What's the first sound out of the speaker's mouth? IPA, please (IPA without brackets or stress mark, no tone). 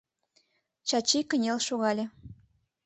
t͡ɕ